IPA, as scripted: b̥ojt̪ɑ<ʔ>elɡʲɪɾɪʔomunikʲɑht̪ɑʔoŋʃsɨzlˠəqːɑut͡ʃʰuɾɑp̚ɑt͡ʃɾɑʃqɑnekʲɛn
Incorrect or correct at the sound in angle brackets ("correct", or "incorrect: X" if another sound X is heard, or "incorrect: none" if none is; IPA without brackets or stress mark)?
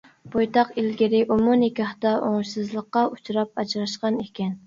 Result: incorrect: q